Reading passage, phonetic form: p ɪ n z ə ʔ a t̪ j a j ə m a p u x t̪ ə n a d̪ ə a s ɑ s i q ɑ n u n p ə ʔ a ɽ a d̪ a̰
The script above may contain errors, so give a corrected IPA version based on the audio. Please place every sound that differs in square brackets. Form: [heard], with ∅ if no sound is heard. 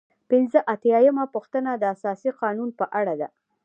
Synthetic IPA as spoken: p ɪ n z ə ʔ a t̪ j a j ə m a p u x t̪ ə n a d̪ ə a s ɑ s i q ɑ n u n p ə ʔ a ɽ a d̪ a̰